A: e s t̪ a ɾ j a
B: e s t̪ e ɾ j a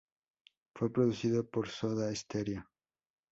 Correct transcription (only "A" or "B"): B